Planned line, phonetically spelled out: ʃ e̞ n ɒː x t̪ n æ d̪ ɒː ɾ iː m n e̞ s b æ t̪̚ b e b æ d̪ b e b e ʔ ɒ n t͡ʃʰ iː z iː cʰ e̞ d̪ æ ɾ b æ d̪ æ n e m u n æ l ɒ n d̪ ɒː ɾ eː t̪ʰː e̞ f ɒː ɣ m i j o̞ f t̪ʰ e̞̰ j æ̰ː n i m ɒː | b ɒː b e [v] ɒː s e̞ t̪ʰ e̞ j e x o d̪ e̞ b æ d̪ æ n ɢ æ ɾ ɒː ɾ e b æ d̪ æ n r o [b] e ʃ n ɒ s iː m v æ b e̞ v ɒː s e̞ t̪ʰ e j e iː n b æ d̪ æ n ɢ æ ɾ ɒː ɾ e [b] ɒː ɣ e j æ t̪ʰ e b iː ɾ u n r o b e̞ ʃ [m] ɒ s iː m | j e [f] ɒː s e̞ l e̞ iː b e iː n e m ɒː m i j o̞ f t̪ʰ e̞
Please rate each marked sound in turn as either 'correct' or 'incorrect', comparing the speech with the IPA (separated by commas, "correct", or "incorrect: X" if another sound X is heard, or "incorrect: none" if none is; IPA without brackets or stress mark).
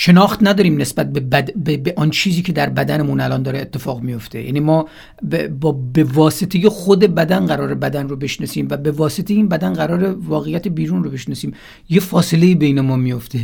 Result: correct, correct, incorrect: v, incorrect: n, correct